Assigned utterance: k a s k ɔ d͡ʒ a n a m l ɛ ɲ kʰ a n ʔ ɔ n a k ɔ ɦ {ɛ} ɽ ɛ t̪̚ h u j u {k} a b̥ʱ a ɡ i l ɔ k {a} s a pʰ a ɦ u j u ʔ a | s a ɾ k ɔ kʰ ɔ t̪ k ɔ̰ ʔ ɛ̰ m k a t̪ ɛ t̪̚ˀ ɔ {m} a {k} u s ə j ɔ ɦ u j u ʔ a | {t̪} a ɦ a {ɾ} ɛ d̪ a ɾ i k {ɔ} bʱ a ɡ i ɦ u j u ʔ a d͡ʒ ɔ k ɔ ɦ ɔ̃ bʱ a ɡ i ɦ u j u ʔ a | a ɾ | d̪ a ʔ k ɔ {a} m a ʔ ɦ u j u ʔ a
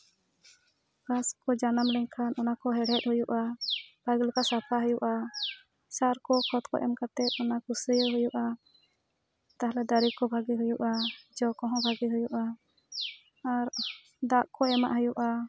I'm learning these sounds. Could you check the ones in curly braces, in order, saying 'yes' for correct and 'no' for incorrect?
yes, no, yes, no, yes, yes, no, yes, no

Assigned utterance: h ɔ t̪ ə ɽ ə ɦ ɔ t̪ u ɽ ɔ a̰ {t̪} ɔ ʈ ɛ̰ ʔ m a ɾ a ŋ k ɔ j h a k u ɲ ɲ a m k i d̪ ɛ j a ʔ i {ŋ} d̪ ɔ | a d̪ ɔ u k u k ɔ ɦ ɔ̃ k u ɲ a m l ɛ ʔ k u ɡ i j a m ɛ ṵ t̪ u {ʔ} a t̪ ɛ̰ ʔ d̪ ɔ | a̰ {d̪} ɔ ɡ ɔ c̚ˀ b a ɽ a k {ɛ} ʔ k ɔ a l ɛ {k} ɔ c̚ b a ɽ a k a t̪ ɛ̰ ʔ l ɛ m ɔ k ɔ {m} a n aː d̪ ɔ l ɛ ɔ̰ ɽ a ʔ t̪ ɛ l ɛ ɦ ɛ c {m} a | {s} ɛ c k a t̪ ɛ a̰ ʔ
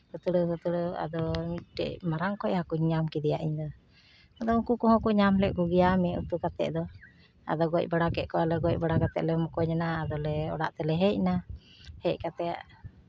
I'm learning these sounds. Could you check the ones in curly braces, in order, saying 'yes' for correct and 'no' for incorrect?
no, no, no, yes, yes, no, no, no, no

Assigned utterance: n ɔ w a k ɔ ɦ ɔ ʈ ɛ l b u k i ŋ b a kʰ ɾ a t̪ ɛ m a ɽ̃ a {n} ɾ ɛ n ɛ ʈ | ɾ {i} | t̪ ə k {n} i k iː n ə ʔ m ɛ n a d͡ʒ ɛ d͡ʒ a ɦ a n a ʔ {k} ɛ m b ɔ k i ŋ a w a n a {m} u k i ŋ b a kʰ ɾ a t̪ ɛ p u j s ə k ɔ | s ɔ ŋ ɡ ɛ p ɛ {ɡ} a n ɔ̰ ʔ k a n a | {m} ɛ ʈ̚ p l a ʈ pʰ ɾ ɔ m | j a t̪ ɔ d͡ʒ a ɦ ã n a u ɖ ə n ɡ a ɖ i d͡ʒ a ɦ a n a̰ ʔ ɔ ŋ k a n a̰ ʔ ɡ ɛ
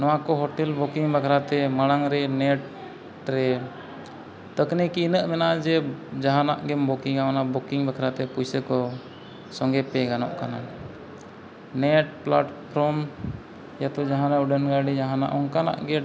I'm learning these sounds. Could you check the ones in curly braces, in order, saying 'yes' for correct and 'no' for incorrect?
no, no, yes, no, no, yes, no

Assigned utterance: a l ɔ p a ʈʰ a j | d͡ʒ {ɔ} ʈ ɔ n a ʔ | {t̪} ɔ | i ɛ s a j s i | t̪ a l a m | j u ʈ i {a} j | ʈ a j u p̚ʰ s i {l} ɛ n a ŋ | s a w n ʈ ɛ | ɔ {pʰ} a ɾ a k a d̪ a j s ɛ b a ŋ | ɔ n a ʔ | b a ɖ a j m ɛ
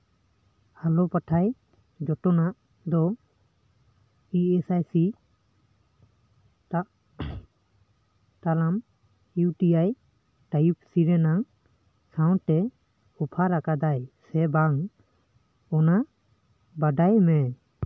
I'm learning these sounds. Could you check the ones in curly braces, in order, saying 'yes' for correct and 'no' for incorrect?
yes, no, yes, no, yes

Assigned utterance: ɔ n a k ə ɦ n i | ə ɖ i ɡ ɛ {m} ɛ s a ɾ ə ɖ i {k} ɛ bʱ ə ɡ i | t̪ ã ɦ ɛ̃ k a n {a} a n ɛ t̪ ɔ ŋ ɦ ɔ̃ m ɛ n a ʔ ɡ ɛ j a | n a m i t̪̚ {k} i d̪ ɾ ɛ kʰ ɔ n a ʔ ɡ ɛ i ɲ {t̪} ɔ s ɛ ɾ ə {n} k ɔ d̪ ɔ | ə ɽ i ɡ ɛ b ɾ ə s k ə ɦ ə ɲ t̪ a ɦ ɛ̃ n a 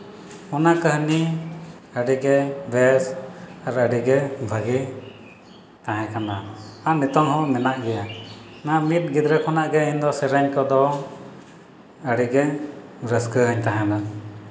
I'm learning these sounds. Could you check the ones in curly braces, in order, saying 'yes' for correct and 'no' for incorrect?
no, no, yes, no, no, no

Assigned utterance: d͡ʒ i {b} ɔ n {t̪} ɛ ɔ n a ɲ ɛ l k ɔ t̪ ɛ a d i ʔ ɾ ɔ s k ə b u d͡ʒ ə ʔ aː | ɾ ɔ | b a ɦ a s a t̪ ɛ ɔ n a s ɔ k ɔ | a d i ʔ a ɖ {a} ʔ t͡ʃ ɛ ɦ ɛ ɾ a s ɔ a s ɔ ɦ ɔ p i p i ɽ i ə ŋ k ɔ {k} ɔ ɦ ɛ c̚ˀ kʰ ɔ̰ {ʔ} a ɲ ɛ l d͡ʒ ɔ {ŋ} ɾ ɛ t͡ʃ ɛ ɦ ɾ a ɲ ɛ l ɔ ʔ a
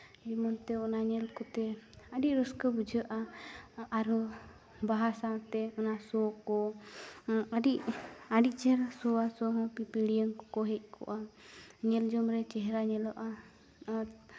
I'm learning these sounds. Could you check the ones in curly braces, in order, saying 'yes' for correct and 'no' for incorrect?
no, yes, no, yes, yes, no

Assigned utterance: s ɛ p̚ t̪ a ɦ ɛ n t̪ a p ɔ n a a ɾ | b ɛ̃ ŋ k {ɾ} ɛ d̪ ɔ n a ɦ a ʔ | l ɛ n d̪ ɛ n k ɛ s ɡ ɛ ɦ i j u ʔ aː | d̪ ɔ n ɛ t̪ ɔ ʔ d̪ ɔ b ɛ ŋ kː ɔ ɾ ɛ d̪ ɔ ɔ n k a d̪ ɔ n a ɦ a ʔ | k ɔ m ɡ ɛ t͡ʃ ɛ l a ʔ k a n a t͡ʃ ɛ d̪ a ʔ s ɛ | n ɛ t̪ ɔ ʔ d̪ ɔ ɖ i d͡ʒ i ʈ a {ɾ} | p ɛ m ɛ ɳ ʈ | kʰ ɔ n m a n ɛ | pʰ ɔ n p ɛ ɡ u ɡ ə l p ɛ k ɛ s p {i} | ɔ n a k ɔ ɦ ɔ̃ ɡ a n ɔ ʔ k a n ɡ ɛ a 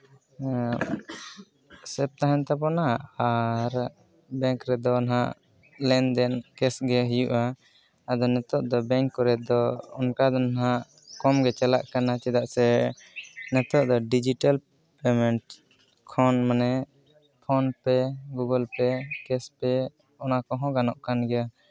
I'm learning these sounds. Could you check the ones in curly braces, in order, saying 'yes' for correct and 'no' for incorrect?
yes, no, no

